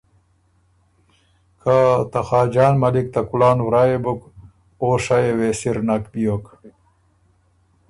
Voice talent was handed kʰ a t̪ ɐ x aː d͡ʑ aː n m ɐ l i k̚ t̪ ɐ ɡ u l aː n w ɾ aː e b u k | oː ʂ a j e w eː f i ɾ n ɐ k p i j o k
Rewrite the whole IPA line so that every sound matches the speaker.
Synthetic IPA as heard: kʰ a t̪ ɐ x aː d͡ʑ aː n m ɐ l i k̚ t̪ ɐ k u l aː n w ɾ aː e b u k | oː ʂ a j e w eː s i ɾ n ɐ k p i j o k